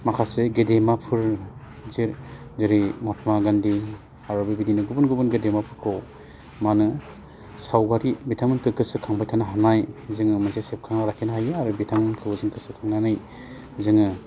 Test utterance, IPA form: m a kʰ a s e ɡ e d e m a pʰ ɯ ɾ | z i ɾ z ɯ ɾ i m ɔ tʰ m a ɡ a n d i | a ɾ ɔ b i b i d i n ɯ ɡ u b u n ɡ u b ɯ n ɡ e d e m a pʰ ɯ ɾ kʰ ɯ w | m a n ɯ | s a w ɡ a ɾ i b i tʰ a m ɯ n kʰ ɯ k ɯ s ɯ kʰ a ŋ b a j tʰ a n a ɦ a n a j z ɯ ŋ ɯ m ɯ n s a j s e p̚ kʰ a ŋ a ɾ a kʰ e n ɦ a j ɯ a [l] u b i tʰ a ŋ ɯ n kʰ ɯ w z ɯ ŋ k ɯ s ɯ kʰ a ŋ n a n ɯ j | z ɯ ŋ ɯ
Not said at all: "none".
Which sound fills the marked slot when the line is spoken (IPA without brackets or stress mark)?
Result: ɾ